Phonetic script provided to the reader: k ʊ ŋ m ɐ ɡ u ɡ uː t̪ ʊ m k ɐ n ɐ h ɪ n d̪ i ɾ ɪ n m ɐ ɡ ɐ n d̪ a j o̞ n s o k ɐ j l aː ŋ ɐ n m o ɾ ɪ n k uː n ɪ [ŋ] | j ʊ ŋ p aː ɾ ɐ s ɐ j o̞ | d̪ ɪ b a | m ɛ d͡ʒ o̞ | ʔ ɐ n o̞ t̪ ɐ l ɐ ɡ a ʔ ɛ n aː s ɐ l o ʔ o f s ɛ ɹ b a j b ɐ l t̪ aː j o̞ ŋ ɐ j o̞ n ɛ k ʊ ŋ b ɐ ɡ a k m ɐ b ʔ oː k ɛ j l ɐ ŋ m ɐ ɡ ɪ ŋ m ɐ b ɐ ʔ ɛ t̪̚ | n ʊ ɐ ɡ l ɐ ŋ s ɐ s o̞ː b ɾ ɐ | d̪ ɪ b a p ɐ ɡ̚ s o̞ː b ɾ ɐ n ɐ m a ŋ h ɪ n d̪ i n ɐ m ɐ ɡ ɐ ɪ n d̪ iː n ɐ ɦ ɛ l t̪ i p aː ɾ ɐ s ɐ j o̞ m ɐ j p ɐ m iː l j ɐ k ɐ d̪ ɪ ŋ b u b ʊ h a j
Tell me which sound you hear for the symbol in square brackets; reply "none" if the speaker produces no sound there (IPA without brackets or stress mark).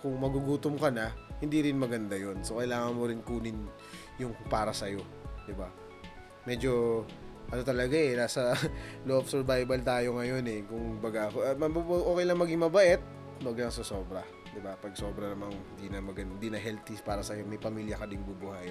n